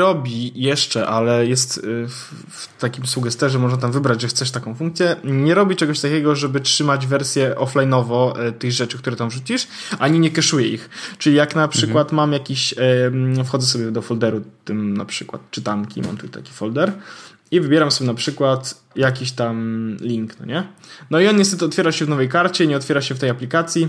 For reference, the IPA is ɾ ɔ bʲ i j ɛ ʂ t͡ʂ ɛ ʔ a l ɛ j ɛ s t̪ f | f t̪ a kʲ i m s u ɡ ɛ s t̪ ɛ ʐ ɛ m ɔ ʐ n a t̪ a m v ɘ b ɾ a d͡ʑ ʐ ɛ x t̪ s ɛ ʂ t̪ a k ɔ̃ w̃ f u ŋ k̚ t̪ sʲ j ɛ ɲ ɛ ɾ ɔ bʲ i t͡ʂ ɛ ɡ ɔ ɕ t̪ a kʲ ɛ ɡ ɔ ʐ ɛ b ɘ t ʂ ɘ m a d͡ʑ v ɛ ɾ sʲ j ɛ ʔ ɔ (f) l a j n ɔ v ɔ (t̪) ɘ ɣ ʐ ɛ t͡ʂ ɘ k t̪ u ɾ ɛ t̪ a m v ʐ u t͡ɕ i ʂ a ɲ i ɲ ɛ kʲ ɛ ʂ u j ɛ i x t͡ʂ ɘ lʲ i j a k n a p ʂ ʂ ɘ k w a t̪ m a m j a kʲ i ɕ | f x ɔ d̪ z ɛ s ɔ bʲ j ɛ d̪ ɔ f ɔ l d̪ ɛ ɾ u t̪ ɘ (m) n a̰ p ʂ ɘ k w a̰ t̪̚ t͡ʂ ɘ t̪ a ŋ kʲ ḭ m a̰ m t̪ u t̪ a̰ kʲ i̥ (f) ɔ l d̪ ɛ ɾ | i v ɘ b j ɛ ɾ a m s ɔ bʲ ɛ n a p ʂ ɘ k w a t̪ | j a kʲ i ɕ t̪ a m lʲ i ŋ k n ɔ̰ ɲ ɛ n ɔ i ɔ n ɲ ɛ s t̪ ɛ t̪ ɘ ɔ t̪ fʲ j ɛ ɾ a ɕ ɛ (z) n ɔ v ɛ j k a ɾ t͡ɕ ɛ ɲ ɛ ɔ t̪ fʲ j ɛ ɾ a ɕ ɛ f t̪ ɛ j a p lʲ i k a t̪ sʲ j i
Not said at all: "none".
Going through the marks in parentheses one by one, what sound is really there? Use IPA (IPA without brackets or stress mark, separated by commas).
f, t̪, m, f, v